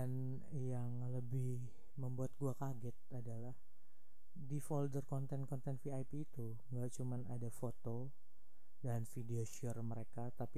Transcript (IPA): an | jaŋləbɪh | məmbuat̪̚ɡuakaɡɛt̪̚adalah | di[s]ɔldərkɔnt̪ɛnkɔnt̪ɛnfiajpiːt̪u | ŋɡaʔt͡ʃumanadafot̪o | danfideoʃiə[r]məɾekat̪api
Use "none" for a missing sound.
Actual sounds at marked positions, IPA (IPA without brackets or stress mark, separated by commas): f, r